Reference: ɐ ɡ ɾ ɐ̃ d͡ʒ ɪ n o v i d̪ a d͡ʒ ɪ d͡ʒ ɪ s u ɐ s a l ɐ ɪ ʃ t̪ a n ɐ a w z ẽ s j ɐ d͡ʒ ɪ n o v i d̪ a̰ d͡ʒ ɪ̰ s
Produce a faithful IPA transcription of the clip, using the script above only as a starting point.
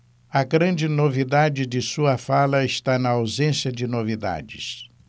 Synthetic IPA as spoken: ɐ ɡ ɾ ɐ̃ d͡ʒ ɪ n o v i d̪ a d͡ʒ ɪ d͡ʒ ɪ s u ɐ f a l ɐ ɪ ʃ t̪ a n ɐ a w z ẽ s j ɐ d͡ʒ ɪ n o v i d̪ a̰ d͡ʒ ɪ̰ s